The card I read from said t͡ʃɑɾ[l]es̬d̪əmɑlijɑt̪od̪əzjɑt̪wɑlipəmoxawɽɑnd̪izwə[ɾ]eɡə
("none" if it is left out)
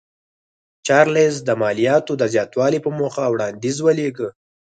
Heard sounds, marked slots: l, l

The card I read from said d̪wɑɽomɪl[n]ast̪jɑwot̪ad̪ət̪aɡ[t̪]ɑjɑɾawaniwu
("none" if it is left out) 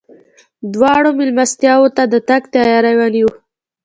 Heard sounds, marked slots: m, t̪

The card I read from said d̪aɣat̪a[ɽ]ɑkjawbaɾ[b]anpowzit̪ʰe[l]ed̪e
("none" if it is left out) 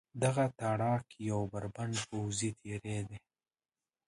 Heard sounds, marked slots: ɽ, b, ɾ

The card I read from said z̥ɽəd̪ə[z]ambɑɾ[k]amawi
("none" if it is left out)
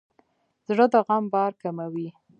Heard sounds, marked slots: ɣ, k

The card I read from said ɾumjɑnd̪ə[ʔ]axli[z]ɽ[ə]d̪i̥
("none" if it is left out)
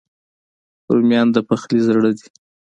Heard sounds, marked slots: p, z, ə

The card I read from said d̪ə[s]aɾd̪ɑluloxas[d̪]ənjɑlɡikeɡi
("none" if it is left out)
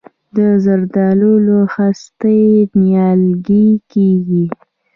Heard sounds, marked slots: z, t̪

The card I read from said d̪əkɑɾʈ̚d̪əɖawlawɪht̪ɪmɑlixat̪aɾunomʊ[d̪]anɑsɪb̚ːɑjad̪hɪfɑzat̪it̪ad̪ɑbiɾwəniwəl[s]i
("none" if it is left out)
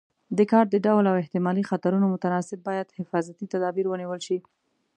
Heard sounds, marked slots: t̪, ʃ

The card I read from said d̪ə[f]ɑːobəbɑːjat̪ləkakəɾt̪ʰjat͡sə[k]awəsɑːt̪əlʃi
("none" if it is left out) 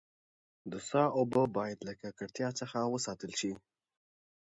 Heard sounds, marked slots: s, x

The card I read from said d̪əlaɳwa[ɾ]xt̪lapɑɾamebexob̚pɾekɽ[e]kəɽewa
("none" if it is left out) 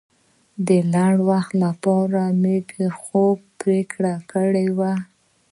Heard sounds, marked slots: none, a

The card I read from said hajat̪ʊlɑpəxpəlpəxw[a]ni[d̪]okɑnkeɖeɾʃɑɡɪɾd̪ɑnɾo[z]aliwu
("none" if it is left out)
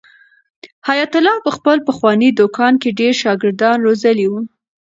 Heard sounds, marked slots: ɑ, d̪, z

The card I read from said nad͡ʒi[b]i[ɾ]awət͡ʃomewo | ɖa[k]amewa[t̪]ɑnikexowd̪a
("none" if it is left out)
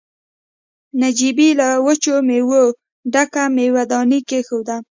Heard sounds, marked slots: b, l, k, d̪

